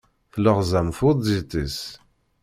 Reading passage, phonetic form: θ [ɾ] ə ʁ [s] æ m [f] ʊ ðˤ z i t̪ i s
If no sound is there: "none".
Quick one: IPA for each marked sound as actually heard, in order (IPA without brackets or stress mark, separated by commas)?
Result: l, z, f